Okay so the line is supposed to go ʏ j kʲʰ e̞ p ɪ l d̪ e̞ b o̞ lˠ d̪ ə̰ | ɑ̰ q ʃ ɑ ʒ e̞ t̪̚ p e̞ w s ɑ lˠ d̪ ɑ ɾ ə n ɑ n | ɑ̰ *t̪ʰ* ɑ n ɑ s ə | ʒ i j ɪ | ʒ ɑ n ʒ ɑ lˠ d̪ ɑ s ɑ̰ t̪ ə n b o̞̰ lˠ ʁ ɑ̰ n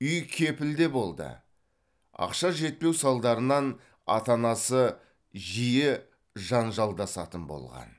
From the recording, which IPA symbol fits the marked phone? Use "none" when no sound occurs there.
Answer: t̪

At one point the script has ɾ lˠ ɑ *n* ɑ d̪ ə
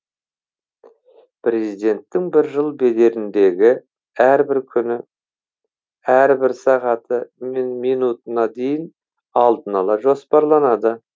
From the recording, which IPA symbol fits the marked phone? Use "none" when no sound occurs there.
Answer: n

